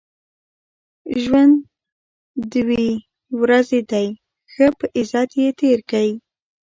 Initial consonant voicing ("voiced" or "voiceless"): voiced